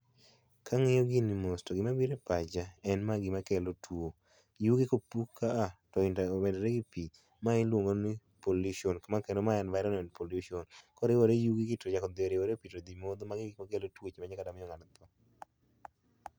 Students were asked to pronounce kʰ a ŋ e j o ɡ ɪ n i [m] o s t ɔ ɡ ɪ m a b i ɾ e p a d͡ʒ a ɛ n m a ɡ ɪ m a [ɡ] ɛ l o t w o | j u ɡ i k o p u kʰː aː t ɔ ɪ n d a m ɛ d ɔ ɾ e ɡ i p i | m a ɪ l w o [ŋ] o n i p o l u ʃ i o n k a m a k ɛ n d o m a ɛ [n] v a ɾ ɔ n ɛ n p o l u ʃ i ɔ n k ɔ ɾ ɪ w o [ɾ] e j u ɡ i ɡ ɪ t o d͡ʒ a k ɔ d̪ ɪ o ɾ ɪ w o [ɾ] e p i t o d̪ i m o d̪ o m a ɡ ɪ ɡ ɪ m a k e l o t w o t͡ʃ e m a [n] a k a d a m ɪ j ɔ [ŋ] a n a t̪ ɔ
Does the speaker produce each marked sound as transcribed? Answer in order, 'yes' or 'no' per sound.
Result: yes, no, yes, yes, yes, yes, no, yes

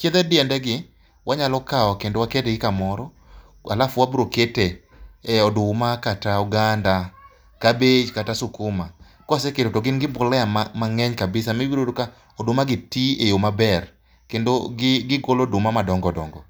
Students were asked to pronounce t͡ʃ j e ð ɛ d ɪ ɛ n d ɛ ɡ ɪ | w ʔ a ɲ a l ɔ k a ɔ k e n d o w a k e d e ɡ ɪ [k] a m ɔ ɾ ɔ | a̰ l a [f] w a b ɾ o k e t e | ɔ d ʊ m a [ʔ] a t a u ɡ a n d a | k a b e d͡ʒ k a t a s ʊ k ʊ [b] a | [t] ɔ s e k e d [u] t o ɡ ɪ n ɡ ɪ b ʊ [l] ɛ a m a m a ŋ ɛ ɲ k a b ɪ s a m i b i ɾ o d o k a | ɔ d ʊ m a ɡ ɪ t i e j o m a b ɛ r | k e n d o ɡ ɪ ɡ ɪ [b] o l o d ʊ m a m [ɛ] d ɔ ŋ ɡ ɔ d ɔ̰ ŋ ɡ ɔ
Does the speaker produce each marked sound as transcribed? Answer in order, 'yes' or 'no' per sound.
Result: yes, yes, no, no, no, no, yes, no, no

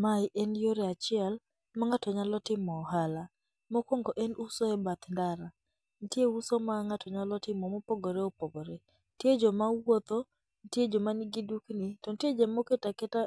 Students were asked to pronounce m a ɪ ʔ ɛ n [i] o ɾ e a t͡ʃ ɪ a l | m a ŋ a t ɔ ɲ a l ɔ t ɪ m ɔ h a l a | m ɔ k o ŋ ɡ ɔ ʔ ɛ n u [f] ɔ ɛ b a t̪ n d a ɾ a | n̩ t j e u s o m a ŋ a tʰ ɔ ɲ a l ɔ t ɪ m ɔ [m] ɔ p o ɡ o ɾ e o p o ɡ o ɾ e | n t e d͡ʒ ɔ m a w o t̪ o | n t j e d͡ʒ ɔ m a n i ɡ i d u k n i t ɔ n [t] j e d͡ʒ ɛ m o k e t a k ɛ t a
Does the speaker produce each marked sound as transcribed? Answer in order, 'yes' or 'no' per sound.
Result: no, no, yes, yes

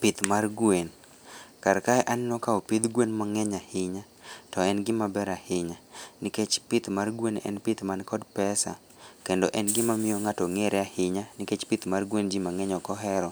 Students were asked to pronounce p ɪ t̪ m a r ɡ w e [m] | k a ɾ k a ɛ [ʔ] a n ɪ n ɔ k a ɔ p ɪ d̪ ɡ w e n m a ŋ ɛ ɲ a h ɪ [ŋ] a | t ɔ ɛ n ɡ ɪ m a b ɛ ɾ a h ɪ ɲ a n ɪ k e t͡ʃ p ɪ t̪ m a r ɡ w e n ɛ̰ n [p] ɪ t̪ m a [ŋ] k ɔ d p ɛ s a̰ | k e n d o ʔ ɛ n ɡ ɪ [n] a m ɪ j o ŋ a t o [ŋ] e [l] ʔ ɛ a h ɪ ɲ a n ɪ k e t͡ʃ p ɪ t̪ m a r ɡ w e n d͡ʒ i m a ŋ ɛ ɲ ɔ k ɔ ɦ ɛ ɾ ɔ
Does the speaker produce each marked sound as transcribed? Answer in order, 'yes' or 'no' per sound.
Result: no, yes, no, yes, no, no, yes, no

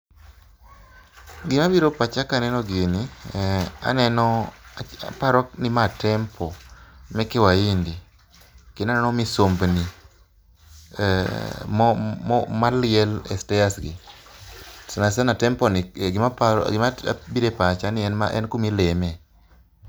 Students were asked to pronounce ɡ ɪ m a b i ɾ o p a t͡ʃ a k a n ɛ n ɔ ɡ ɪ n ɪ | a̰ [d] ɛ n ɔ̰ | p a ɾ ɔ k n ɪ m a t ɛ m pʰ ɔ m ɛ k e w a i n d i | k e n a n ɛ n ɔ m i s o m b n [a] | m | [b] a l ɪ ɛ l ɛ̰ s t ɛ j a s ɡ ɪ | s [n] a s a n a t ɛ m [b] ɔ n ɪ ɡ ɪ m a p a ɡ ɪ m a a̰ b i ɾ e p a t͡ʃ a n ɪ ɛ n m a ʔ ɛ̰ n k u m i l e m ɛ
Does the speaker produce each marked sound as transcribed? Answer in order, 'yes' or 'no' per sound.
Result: no, no, no, yes, no

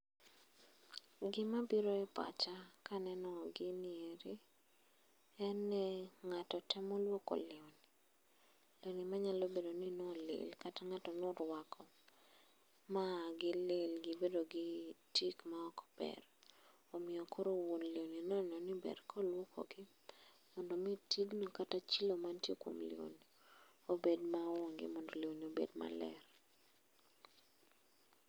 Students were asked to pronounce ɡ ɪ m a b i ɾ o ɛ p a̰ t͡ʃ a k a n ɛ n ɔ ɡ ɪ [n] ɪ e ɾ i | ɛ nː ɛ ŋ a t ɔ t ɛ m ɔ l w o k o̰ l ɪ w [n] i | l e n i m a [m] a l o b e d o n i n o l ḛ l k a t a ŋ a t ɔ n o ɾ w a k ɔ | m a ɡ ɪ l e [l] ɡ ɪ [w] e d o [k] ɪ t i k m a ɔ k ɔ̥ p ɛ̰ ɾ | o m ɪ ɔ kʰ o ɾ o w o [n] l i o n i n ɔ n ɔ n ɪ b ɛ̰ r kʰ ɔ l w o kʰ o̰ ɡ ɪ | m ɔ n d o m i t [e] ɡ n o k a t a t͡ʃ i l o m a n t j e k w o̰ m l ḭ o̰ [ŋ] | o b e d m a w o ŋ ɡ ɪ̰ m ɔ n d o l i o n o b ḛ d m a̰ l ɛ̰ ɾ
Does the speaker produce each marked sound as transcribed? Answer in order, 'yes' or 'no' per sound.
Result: yes, yes, no, yes, no, no, yes, no, no

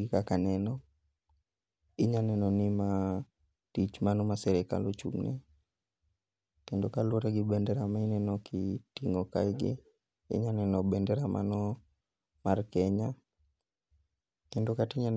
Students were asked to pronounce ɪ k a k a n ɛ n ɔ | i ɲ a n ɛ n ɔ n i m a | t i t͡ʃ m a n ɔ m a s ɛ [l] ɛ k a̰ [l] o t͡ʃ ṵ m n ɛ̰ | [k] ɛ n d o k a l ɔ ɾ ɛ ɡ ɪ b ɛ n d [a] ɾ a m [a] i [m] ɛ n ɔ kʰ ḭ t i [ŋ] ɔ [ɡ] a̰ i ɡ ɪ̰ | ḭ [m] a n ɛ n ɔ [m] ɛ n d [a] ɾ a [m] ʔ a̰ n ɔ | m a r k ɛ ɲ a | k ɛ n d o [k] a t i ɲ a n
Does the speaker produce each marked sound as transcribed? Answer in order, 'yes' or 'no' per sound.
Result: no, yes, yes, no, yes, no, yes, no, no, no, no, yes, yes

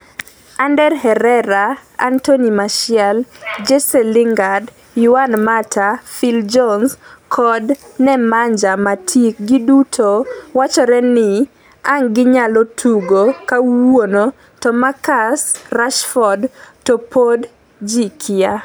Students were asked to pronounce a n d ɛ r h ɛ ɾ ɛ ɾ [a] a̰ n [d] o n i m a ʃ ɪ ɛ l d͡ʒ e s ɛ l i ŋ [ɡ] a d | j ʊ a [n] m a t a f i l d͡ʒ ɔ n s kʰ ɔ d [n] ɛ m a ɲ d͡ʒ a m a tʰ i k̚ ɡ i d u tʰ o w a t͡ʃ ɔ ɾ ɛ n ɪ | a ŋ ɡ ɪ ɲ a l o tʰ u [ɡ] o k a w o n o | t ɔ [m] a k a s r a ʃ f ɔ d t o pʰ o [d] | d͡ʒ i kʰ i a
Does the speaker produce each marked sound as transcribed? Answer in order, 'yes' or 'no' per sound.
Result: yes, no, yes, yes, yes, yes, yes, yes

